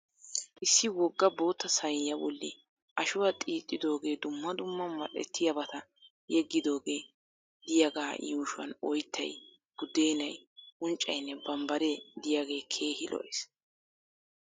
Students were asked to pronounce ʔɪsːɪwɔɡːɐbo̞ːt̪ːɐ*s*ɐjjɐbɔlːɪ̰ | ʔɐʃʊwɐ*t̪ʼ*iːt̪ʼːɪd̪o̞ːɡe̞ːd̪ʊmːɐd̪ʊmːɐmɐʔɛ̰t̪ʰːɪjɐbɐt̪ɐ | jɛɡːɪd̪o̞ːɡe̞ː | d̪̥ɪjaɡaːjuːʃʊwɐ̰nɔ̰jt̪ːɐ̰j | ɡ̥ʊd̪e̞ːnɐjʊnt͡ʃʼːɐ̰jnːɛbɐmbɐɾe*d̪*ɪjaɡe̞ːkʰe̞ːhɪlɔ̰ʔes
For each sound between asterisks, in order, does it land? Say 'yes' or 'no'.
yes, yes, yes

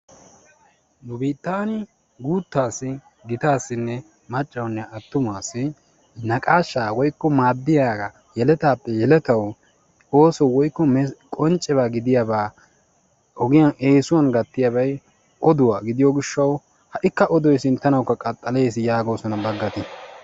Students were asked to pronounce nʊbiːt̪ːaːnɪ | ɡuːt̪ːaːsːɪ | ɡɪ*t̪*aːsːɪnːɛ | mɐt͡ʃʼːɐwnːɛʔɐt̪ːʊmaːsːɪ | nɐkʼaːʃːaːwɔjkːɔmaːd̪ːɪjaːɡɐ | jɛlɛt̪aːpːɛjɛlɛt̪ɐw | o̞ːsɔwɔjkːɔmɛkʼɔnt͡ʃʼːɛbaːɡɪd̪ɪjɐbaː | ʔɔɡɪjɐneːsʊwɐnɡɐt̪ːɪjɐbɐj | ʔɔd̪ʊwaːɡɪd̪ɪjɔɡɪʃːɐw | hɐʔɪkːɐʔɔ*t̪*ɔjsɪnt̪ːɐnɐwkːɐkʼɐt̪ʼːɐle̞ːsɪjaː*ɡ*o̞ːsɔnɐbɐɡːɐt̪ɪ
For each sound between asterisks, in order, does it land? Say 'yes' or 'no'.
yes, no, yes

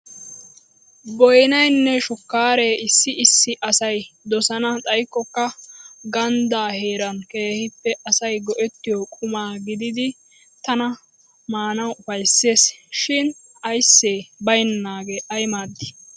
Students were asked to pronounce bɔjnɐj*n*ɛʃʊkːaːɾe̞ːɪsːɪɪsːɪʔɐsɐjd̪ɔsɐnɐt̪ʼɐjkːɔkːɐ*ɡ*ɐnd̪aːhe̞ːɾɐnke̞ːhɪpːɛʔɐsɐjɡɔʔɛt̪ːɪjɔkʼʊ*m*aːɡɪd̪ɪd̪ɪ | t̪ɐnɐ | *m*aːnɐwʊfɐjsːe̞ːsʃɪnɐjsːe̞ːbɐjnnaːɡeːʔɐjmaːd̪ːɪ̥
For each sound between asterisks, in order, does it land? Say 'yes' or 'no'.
no, yes, yes, yes

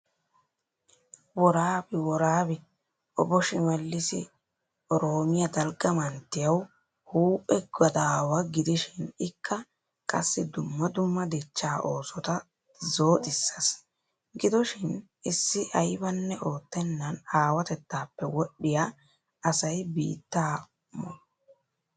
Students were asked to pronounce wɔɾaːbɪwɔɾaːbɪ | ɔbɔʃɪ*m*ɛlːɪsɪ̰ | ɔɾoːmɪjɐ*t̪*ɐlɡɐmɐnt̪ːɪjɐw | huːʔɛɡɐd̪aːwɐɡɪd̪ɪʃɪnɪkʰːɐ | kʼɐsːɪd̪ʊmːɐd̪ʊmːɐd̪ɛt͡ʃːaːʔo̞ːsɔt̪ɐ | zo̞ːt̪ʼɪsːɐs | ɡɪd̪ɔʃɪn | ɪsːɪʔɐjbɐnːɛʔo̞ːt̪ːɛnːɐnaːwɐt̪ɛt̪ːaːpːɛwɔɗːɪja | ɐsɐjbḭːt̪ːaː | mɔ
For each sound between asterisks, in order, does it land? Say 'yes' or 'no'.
yes, no

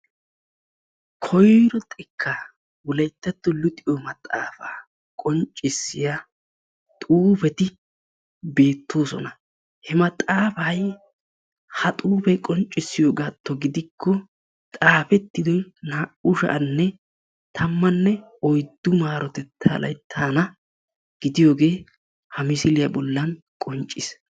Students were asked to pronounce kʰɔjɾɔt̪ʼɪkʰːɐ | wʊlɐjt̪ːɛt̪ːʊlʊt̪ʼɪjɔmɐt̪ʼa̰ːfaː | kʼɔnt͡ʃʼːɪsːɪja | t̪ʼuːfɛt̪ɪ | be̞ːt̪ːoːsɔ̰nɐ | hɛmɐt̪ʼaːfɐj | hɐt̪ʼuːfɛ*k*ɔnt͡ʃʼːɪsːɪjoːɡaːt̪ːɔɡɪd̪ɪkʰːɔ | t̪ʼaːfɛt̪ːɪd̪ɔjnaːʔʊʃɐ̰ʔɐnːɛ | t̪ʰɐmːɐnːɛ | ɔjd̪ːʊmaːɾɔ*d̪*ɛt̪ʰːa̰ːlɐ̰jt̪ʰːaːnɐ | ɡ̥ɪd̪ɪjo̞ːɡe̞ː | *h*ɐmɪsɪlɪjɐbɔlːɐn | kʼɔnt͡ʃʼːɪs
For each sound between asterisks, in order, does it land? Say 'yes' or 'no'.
no, no, yes

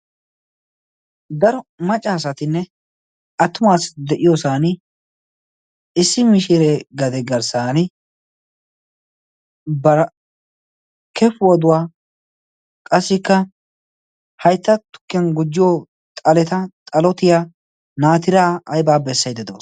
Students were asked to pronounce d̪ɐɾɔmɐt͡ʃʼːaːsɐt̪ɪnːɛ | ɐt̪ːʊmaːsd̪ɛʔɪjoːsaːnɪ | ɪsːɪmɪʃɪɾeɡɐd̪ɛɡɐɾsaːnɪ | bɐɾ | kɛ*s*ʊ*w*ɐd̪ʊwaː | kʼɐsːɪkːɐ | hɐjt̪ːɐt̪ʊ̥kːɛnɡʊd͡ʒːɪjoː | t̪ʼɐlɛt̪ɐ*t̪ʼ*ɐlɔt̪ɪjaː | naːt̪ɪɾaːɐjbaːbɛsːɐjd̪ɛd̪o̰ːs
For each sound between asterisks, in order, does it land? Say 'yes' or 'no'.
no, yes, yes

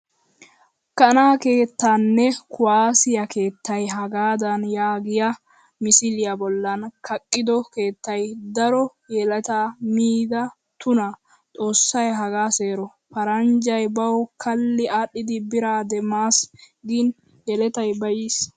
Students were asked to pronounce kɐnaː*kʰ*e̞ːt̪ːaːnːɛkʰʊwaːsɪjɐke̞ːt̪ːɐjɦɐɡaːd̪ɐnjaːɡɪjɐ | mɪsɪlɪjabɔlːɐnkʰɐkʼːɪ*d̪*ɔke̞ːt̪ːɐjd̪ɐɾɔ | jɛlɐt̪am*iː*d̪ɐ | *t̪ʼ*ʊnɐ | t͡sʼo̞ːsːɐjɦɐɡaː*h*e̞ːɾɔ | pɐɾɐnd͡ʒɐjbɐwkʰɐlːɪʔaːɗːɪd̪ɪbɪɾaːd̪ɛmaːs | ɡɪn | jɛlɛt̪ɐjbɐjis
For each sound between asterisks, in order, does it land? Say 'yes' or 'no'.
no, yes, yes, no, no

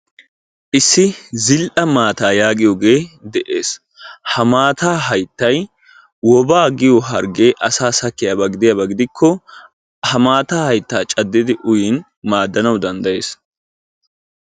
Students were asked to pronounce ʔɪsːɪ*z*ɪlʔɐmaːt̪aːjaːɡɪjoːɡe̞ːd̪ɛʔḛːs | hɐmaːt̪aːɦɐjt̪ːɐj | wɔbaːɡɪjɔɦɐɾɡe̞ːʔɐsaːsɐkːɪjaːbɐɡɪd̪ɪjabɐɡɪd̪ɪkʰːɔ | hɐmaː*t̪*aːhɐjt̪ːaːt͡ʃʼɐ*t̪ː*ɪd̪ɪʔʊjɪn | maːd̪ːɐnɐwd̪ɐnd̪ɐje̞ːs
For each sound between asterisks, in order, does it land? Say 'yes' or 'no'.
yes, yes, no

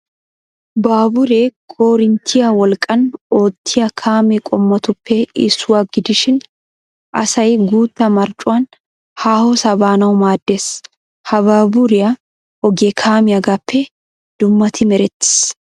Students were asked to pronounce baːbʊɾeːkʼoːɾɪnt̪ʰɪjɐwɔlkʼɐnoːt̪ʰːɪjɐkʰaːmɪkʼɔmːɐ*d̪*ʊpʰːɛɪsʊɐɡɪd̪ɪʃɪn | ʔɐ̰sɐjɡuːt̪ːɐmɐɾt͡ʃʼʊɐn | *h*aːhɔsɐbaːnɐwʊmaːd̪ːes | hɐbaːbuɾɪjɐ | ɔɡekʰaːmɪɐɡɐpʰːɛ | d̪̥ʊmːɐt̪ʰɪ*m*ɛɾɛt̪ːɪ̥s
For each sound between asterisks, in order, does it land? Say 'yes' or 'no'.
no, yes, yes

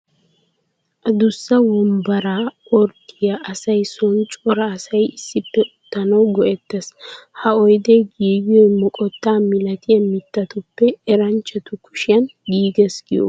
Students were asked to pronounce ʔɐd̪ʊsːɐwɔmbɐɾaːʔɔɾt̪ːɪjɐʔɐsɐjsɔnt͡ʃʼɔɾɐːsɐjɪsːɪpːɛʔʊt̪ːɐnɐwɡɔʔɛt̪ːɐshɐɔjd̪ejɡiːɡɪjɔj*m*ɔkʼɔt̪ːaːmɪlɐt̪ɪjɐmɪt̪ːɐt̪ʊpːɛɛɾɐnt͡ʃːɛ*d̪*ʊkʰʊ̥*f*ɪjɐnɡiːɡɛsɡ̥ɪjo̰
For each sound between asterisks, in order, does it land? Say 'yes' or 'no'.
yes, no, no

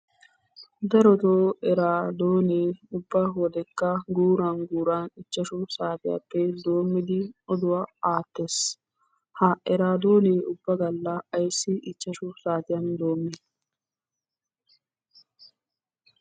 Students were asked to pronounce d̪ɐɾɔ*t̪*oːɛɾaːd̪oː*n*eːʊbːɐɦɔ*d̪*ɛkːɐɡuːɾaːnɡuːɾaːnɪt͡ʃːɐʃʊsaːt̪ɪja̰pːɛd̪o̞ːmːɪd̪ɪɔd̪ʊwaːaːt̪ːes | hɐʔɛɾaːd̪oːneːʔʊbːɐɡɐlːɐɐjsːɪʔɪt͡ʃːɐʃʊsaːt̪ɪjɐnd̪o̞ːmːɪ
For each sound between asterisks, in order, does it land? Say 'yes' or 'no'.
yes, yes, yes

